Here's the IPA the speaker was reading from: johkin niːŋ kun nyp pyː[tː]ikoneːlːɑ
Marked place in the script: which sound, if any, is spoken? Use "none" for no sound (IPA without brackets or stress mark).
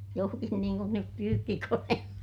kː